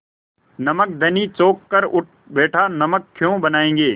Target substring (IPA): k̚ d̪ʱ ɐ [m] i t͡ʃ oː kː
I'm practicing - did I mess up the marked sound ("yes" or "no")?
yes